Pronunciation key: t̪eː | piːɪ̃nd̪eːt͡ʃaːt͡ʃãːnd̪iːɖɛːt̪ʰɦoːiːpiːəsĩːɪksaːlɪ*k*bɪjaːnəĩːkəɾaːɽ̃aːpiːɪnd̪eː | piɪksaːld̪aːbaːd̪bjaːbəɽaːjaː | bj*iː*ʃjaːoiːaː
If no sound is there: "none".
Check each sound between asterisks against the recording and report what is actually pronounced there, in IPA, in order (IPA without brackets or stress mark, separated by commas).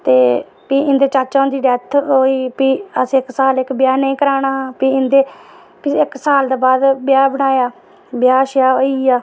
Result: k, aː